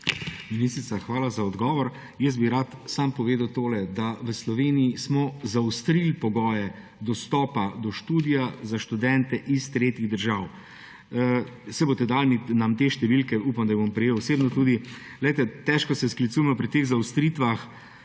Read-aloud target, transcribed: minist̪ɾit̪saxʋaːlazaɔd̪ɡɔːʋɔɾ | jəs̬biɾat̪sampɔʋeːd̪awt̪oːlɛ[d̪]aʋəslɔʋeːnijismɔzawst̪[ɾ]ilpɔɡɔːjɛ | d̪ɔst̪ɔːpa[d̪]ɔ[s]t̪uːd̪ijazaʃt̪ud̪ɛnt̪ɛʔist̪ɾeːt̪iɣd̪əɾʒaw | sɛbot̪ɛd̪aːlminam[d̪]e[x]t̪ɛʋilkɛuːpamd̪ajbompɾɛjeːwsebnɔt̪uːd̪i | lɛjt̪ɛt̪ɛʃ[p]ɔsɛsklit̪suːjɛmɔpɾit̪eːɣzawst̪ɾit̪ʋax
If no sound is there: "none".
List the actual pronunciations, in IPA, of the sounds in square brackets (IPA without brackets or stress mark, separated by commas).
d̪, ɾ, d̪, ʃ, t̪, ʃ, k